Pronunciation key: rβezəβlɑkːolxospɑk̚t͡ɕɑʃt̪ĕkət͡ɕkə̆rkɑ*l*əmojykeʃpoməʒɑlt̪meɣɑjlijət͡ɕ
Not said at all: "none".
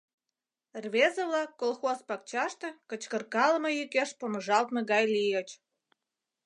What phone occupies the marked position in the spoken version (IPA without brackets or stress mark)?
l